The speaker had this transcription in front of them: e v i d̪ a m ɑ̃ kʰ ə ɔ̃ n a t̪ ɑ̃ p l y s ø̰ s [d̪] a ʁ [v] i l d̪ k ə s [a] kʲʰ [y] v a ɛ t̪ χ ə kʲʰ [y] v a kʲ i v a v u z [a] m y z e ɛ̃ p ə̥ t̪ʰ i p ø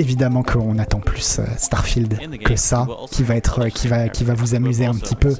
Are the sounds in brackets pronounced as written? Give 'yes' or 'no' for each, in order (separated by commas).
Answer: no, no, yes, no, no, yes